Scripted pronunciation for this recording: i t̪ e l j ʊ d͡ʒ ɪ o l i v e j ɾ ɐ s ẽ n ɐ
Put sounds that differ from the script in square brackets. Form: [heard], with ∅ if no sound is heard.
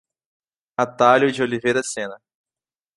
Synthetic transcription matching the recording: [a] t̪ [a] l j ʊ d͡ʒ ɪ o l i v e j ɾ ɐ s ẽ n ɐ